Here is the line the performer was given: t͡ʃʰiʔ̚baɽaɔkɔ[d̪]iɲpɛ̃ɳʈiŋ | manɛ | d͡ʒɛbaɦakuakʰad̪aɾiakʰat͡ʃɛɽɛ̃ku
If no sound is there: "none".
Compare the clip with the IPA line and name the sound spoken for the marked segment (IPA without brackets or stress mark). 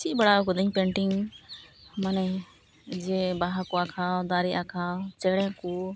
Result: d̪